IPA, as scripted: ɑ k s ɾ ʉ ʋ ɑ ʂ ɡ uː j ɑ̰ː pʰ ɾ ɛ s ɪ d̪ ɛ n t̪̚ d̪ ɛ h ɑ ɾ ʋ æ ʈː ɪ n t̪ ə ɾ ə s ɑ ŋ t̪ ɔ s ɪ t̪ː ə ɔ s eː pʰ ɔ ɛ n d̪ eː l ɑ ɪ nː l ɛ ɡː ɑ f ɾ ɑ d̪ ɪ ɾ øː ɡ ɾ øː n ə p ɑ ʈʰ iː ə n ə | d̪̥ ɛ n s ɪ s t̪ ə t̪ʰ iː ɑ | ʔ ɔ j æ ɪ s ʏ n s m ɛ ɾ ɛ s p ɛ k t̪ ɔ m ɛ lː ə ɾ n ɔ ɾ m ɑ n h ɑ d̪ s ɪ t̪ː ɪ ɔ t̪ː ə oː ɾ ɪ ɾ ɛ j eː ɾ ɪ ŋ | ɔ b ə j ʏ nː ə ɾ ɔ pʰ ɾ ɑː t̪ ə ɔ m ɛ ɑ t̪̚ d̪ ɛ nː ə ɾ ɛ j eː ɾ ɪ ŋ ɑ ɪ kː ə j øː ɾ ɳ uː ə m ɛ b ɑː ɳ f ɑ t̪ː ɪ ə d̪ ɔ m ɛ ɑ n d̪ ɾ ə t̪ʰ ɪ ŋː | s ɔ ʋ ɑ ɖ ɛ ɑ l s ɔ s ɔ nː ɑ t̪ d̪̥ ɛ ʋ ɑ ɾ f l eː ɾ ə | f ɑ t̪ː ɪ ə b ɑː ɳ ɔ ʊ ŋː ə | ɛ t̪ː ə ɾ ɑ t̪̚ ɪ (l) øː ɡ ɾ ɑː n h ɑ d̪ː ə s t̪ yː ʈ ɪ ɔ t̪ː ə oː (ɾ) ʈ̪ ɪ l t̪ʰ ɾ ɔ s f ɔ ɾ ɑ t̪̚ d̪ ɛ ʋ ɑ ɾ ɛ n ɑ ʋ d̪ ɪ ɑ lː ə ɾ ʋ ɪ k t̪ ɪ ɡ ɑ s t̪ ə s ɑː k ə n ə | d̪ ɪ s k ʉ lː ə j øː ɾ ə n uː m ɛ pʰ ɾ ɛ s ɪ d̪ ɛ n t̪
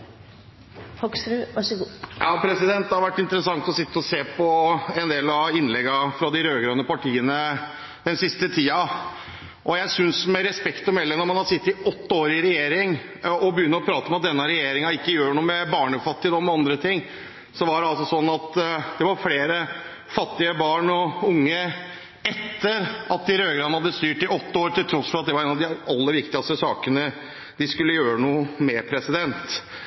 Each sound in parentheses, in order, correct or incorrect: incorrect, correct

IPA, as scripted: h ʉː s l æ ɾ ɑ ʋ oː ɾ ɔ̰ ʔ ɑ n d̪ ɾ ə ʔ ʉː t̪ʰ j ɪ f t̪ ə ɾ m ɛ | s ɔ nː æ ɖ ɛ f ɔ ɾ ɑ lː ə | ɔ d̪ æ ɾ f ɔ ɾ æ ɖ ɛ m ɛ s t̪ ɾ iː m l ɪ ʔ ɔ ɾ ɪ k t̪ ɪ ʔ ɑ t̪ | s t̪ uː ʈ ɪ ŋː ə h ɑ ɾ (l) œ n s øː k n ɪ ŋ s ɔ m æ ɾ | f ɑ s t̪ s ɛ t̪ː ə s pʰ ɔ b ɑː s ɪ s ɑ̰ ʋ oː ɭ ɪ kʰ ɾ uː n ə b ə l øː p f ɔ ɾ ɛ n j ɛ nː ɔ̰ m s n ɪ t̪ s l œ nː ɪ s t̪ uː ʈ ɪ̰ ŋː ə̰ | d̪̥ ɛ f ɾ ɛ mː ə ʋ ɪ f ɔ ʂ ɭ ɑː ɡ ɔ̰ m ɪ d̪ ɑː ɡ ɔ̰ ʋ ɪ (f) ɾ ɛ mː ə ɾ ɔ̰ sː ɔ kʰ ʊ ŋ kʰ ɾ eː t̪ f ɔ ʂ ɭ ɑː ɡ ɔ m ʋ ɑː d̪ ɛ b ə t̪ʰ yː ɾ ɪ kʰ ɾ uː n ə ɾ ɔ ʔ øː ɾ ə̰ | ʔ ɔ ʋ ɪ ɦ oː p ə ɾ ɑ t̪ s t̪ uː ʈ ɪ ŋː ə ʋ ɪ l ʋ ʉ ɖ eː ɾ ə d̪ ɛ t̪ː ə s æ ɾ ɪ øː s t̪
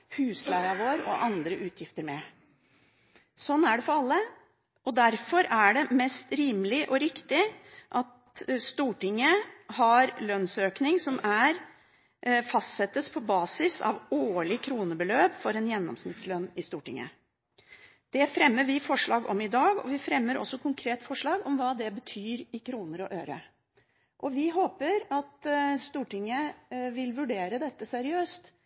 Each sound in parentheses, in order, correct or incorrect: correct, correct

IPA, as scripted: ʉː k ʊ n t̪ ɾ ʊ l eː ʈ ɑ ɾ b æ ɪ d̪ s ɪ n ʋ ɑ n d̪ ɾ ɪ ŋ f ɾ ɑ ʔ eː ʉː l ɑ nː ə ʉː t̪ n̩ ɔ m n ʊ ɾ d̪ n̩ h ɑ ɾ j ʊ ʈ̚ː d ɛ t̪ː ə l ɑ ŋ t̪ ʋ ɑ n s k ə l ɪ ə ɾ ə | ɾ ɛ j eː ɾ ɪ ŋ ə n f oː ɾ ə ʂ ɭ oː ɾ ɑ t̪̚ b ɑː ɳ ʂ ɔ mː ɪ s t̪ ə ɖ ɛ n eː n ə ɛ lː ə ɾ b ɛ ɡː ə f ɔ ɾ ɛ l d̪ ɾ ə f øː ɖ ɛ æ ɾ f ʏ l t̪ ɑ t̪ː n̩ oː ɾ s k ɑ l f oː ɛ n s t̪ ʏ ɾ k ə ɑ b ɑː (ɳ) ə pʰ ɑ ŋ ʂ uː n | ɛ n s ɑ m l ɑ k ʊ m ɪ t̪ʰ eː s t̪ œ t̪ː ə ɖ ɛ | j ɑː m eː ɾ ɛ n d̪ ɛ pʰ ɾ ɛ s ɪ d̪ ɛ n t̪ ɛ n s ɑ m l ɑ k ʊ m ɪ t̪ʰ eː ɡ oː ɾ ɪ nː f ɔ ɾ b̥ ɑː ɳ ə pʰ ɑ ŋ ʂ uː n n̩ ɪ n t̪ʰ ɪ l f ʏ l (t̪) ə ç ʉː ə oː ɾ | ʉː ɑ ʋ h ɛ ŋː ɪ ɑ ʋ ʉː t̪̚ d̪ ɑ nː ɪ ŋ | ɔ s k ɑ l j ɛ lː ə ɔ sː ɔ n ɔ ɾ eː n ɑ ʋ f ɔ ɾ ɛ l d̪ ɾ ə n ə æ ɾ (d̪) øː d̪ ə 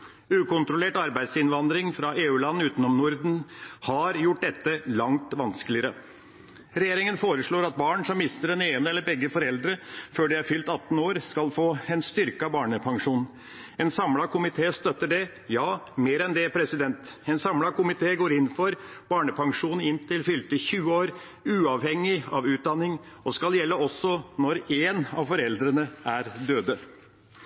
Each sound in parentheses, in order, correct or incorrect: correct, correct, correct

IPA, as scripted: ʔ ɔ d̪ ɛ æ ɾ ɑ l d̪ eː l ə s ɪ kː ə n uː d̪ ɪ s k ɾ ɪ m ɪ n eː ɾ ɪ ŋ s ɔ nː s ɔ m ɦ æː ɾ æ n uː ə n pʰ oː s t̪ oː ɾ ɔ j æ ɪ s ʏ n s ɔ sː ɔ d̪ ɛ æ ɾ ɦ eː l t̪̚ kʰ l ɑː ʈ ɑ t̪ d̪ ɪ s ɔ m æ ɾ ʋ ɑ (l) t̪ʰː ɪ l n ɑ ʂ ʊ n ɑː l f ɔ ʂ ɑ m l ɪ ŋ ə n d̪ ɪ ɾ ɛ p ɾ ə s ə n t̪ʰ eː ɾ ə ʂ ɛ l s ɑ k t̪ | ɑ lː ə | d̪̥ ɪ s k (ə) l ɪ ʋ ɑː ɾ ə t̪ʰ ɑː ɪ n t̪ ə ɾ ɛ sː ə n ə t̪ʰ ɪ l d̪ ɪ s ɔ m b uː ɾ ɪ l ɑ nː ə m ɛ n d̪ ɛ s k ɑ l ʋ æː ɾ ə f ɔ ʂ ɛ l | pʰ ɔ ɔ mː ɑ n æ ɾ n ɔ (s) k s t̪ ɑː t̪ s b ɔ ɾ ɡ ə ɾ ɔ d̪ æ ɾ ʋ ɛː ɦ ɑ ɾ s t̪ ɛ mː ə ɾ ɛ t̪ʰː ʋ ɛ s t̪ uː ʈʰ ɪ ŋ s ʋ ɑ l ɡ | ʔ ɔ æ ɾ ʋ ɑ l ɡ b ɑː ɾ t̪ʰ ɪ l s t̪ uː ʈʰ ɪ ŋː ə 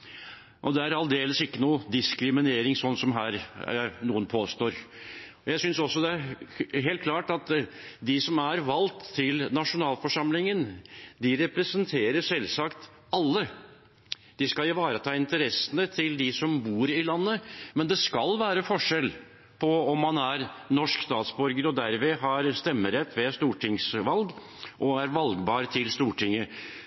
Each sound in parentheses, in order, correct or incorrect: correct, incorrect, incorrect

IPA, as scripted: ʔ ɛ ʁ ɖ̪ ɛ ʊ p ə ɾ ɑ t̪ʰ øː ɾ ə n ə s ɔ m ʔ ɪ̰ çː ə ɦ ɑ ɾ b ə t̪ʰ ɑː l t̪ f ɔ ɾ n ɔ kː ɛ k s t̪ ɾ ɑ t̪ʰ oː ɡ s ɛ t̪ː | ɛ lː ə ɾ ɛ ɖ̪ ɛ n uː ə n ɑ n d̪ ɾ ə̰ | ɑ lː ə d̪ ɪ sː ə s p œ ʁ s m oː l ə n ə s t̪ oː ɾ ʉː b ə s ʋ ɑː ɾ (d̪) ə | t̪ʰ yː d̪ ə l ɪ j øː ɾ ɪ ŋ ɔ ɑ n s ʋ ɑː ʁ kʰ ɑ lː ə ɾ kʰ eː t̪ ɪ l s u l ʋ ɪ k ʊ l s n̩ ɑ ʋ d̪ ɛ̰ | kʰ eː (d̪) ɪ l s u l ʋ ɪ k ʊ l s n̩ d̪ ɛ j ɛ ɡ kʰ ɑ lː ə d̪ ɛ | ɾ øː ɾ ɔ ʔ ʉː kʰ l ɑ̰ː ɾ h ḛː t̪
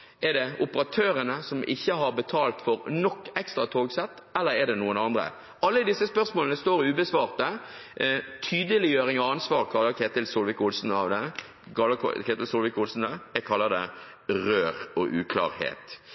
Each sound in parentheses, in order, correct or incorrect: incorrect, incorrect

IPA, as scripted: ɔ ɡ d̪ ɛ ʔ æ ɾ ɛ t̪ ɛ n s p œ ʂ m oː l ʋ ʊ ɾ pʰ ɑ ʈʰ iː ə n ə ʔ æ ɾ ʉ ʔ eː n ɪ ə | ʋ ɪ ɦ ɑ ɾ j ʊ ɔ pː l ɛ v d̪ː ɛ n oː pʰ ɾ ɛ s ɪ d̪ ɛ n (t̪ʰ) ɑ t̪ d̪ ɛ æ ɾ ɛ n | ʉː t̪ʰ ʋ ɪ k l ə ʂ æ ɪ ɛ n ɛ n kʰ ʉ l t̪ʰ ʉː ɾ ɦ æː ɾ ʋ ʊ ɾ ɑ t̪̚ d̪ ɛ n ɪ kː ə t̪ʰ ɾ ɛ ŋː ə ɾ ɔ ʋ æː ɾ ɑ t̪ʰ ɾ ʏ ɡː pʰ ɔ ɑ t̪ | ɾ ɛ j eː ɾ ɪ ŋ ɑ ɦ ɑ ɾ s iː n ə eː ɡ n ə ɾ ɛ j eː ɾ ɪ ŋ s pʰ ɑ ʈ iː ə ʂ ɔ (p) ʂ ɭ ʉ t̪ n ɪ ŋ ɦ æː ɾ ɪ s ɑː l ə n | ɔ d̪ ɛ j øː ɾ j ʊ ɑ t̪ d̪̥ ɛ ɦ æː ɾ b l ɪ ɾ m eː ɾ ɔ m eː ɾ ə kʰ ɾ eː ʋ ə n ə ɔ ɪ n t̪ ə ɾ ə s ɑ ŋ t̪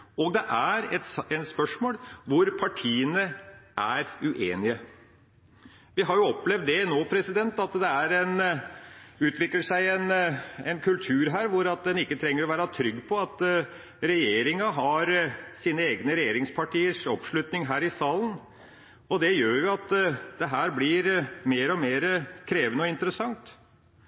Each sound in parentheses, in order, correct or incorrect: incorrect, correct

